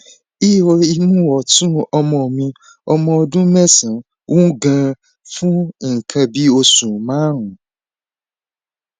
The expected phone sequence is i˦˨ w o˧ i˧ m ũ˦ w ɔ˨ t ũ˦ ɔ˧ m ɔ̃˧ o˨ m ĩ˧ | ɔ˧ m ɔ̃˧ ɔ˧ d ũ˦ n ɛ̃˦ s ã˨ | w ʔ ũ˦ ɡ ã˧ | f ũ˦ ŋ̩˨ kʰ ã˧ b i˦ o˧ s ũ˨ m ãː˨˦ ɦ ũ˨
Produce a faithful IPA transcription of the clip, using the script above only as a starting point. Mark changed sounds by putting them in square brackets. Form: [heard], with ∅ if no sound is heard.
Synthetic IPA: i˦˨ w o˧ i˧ m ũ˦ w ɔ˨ t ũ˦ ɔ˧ m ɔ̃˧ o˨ m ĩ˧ | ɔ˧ m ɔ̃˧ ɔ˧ d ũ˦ [m] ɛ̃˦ s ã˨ | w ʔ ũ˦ ɡ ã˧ | f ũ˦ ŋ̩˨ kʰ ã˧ b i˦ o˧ s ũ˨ m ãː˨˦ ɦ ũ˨